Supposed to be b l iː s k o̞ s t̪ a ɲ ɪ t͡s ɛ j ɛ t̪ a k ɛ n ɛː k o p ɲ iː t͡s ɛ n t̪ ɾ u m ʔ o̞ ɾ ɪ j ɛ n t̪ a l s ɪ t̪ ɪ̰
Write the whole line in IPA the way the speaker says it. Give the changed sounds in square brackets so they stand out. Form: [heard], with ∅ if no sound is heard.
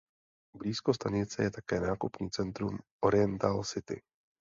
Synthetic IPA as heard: b l iː s k o̞ s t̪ a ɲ ɪ t͡s ɛ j ɛ t̪ a k [ɛː] n [aː] k [u] p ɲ iː t͡s ɛ n t̪ ɾ u m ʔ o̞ ɾ ɪ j ɛ n t̪ a l s ɪ t̪ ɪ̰